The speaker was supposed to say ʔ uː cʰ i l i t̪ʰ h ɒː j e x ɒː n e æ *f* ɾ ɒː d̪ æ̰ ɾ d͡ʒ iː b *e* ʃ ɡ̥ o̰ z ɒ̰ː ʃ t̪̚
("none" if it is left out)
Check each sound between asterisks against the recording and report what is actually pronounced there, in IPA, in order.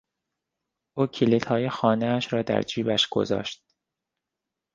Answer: ʃ, æ

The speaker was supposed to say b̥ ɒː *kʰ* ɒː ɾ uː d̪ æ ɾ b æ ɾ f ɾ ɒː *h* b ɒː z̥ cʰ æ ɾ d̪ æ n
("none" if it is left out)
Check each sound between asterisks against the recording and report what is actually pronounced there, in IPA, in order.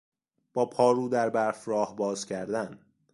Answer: pʰ, h

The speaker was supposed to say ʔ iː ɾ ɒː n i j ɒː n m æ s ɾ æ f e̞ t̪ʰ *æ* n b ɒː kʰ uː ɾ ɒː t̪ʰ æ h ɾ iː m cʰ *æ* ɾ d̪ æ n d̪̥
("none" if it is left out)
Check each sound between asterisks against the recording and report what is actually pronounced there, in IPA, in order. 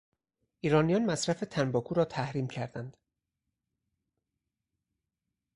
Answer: æ, æ

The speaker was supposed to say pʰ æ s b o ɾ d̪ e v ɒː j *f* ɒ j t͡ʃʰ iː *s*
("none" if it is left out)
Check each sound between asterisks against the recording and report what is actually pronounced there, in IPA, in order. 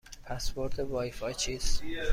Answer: f, s

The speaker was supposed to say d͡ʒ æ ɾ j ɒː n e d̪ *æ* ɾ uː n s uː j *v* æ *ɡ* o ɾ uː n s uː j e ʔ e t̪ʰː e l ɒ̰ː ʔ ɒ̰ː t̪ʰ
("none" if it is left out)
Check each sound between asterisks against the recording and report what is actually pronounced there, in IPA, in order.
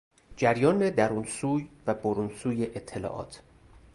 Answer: æ, v, b

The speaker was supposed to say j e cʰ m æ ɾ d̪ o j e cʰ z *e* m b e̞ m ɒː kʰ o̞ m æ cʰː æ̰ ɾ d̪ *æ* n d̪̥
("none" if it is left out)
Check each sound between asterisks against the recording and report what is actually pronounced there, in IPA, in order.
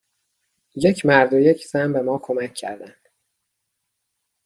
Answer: æ, æ

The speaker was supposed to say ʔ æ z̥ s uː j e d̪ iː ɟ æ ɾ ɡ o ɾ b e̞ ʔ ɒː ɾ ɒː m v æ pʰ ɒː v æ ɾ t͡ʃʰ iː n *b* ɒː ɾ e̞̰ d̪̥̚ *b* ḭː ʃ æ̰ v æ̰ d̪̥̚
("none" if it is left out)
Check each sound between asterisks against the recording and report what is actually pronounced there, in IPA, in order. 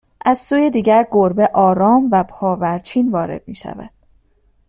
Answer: v, m

